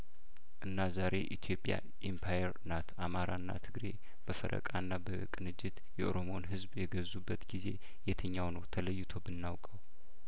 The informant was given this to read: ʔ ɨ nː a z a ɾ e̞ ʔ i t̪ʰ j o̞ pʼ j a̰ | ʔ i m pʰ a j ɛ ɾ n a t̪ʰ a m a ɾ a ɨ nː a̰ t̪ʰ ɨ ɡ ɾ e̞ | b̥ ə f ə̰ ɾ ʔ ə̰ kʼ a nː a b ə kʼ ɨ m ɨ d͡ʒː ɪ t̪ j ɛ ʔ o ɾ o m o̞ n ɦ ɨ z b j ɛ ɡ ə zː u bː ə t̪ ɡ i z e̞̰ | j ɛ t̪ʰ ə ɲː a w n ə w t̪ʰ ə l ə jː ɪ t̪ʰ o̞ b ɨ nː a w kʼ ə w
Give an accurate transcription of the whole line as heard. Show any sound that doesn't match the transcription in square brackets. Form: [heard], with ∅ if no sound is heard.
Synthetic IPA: ʔ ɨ nː a z a ɾ e̞ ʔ i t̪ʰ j o̞ pʼ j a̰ | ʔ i m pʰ a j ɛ ɾ n a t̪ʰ a m a ɾ a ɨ nː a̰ t̪ʰ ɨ ɡ ɾ e̞ | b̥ ə f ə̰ ɾ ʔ ə̰ kʼ a nː a b ə kʼ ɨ [n] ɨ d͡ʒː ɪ t̪ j ɛ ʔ o ɾ o m o̞ n ɦ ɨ z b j ɛ ɡ ə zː u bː ə t̪ ɡ i z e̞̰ | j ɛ t̪ʰ ə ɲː a w n ə w t̪ʰ ə l ə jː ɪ t̪ʰ o̞ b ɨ nː a w kʼ ə w